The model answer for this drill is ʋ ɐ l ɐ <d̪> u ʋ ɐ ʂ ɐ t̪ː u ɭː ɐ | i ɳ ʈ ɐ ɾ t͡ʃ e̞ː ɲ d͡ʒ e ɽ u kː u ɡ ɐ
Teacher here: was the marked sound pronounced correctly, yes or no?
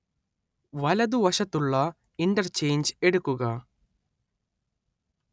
yes